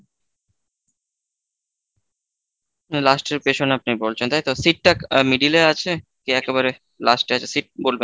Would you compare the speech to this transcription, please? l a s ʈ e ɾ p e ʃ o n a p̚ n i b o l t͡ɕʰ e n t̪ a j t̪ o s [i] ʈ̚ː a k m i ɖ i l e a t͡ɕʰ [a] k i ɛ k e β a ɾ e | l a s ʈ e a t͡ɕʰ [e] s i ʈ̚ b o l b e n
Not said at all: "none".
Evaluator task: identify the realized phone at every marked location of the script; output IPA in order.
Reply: i, e, e

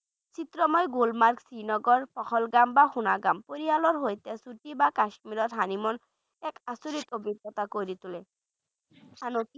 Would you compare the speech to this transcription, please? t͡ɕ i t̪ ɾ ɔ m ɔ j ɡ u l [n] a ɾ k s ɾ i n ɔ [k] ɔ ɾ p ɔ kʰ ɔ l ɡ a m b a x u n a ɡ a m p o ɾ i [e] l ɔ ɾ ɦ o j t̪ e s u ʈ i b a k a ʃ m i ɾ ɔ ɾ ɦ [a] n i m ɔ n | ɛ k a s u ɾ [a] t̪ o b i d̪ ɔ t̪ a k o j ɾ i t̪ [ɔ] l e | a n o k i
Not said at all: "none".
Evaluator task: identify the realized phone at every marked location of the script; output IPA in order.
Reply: m, ɡ, a, a, i, u

